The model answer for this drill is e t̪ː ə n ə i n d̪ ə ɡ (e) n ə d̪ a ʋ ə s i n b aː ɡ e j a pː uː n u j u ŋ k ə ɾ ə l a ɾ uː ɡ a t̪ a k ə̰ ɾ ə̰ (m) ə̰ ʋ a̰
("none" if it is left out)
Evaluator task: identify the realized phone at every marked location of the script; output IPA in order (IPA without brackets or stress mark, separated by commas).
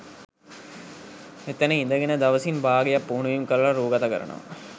e, n